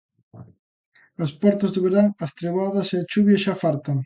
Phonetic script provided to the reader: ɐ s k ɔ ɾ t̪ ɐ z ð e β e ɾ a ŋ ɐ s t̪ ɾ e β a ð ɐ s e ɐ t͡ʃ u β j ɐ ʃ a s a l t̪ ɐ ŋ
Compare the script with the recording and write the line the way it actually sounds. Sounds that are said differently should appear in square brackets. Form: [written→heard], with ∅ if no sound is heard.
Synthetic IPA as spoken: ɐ s [k→p] ɔ ɾ t̪ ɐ z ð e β e ɾ a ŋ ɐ s t̪ ɾ e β a ð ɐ s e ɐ t͡ʃ u β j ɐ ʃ a [s→f] a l t̪ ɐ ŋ